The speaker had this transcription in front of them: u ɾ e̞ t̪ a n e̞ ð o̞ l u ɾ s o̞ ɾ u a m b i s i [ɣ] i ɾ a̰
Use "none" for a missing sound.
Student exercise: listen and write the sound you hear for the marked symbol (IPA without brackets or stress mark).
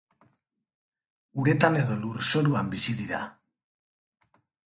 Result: ð